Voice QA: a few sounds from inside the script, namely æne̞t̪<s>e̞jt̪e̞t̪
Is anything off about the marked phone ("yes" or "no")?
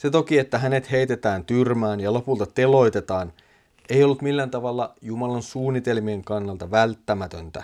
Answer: yes